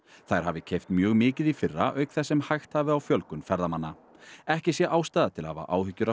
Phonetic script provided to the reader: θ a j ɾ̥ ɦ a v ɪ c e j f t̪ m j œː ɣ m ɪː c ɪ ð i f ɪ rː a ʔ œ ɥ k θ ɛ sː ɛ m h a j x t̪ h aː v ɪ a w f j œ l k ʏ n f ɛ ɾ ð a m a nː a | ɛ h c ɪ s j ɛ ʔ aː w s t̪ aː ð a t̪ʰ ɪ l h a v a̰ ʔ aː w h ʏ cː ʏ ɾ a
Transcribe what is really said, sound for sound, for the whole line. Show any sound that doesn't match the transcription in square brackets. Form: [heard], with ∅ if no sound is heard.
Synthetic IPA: θ a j ɾ̥ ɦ a v ɪ [cʰ] e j f t̪ m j œː ɣ m ɪː c ɪ ð i f ɪ rː a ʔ œ ɥ k θ ɛ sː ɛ m h a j x t̪ h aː v ɪ a w f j œ l k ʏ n f ɛ ɾ ð a m a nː a | ɛ h c ɪ s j ɛ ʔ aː w s t̪ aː ð a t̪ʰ ɪ l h a v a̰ ʔ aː w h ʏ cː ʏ ɾ a